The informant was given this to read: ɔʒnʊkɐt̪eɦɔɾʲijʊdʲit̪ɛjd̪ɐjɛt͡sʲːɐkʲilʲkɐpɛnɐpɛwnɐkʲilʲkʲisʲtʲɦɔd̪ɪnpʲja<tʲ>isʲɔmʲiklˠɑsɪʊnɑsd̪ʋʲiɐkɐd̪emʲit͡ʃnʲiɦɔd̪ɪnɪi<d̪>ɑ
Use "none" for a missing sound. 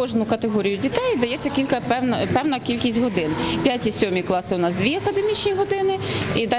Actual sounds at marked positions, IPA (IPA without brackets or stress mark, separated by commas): tʲ, d̪